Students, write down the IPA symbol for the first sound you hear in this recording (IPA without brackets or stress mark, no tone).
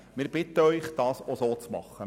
m